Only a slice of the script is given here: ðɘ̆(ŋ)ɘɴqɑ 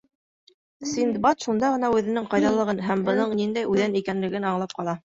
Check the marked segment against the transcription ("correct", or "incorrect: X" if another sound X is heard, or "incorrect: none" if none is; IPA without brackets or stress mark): incorrect: n